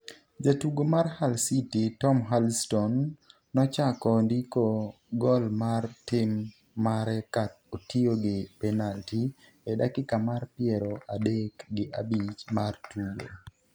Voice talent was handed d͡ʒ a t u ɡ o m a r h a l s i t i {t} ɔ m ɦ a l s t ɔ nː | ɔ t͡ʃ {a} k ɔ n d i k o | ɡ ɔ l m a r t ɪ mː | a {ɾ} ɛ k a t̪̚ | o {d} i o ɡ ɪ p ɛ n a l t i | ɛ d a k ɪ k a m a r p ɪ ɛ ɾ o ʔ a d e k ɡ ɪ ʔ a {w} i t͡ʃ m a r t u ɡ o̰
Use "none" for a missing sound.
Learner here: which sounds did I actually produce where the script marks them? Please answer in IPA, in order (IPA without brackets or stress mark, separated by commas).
t, a, ɾ, t, b